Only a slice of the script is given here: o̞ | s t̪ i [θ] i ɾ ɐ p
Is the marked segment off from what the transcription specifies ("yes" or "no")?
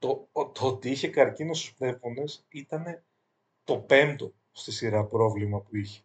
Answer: yes